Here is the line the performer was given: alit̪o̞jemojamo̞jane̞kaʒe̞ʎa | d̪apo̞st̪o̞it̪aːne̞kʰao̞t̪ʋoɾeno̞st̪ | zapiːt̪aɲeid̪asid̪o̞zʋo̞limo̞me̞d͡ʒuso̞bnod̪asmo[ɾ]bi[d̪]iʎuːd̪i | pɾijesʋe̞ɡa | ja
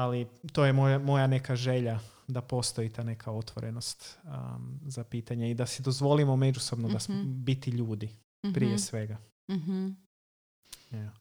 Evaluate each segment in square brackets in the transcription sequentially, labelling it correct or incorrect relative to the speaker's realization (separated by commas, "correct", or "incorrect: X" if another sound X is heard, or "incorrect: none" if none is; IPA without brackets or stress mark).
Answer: incorrect: none, incorrect: t̪